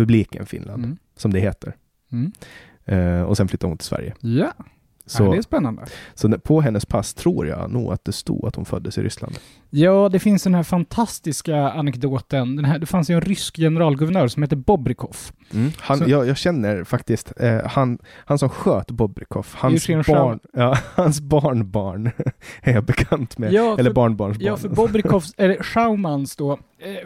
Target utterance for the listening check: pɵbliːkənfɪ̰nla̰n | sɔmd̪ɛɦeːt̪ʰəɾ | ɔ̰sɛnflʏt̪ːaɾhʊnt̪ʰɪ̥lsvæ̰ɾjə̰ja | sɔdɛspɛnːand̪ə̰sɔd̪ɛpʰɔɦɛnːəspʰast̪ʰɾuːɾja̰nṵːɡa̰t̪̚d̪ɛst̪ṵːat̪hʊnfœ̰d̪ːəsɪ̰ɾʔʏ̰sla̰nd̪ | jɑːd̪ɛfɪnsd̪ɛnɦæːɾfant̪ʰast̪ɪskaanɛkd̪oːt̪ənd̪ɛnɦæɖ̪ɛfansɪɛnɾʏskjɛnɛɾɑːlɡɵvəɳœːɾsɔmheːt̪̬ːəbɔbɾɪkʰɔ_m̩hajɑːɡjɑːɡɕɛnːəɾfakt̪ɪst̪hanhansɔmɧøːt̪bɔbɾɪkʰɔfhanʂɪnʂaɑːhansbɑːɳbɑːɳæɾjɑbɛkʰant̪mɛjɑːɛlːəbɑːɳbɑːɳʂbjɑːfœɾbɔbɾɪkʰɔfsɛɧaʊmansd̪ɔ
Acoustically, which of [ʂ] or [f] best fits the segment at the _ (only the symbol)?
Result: f